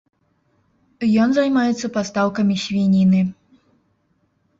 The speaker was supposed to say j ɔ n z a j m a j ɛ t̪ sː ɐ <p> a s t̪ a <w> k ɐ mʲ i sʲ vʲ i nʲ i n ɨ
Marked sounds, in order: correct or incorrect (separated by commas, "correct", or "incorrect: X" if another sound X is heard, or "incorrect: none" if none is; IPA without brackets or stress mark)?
correct, correct